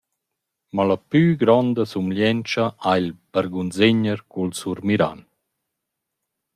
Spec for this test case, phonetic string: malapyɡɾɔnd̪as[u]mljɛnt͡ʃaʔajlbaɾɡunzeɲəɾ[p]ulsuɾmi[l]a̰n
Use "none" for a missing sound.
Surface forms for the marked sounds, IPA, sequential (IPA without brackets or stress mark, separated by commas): u, k, ɾ